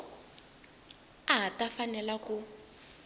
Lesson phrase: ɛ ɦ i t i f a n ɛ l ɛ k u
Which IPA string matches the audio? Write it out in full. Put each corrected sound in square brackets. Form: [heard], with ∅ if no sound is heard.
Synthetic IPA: [a] ɦ [a] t [a] f a n ɛ l [a] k u

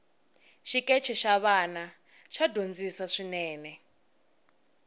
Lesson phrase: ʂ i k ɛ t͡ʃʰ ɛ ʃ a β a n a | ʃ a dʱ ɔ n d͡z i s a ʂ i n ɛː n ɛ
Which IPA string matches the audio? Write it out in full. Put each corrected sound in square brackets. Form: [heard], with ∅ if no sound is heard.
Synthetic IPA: [ʃ] i k ɛ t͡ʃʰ ɛ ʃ a β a n a | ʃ a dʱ [o] n d͡z i s a ʂ i n ɛː n ɛ

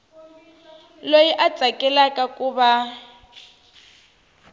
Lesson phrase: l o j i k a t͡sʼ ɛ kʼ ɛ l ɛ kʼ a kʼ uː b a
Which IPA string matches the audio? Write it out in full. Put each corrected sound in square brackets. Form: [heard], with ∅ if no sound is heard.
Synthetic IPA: l o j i [ʔ] a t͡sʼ [a] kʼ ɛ l [a] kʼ a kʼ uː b a

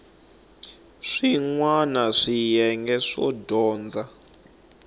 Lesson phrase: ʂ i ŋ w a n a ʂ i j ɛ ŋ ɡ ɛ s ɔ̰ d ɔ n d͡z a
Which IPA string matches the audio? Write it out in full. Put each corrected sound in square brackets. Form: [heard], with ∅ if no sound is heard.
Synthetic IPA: ʂ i ŋ w a n a ʂ i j ɛ ŋ ɡ ɛ [ʂ] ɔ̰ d [ɔː] n d͡z a

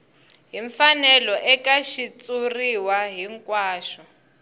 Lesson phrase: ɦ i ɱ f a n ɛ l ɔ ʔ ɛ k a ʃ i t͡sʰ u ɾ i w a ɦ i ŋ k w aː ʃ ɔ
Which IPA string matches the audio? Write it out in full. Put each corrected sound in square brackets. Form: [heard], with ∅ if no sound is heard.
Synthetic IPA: ɦ i ɱ f a n ɛ l ɔ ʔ ɛ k a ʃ i [t͡s] u [r] i w a ɦ i ŋ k w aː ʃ ɔ

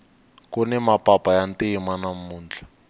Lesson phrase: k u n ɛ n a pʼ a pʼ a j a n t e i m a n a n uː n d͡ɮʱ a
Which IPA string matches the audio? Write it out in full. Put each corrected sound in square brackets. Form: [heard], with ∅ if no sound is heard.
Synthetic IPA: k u n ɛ [m] a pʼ a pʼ a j a n t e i m a n a [m] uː n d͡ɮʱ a

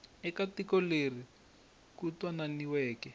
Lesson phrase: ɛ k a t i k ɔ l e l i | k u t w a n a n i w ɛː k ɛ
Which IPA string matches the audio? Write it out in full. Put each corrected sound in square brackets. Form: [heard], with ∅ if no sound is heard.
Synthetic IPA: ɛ k a t i k ɔ l e [r] i | k u t w a n a n i w ɛː k ɛ

